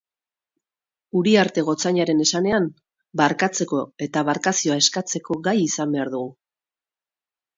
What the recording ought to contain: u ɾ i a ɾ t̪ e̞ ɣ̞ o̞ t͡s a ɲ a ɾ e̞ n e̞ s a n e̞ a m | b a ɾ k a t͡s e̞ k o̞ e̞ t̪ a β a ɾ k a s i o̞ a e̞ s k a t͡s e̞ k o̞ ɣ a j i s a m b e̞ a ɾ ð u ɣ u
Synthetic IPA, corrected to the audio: u ɾ i a ɾ t̪ e̞ ɣ̞ o̞ t͡s a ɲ a ɾ e̞ n e̞ s a n e̞ a m | b a ɾ k a t͡s e̞ k o̞ e̞ t̪ a β a ɾ k a s i o̞ a e̞ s k a t͡s e̞ k o̞ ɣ a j i s a m b e̞ a ɾ ð u ɣ u